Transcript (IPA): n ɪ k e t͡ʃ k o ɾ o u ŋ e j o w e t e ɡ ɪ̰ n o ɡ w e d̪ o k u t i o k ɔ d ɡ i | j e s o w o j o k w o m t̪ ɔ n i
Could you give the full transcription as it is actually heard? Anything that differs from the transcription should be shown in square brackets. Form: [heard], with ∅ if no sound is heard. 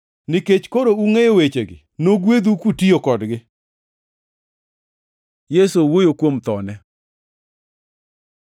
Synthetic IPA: n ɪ k e t͡ʃ k o ɾ o u ŋ e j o w e [t͡ʃ] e ɡ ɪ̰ n o ɡ w e d̪ [u] k u t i o k ɔ d ɡ [ɪ] | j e s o w o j o k w o m t̪ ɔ n [ɛ]